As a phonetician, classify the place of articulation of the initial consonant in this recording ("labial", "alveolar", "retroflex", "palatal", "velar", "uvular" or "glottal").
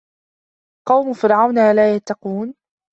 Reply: uvular